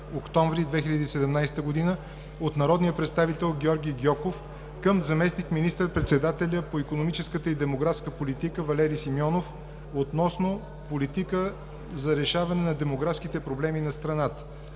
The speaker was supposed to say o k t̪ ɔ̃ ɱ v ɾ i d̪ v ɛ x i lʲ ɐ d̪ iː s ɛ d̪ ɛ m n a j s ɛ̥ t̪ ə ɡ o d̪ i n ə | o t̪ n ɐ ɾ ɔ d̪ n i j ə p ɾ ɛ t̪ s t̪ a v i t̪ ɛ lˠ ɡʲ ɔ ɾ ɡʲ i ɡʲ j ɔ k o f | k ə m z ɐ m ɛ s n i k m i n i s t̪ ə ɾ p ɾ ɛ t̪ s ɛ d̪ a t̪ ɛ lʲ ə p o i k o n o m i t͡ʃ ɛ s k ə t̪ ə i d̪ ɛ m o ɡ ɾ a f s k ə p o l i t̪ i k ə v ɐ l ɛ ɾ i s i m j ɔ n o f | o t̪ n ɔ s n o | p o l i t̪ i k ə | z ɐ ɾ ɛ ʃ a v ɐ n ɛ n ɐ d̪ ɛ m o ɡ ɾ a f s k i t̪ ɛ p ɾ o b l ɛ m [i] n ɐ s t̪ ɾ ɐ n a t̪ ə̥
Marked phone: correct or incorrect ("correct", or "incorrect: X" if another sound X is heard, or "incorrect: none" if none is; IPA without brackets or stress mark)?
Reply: correct